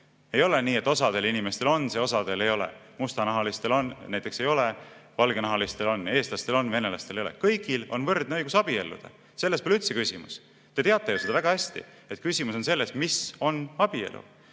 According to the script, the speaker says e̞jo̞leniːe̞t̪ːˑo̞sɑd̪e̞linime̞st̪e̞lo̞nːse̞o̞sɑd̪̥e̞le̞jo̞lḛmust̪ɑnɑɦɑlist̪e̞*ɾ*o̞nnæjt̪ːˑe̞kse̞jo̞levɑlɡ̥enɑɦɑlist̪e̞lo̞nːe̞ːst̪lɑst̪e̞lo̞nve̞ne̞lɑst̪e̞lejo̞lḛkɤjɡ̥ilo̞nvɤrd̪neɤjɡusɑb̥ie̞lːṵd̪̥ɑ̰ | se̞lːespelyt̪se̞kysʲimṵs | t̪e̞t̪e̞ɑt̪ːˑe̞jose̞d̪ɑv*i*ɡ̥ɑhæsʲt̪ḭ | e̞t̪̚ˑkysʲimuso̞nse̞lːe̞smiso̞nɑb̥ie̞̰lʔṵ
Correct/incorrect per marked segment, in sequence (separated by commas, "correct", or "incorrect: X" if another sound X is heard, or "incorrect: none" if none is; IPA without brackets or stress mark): incorrect: l, incorrect: æ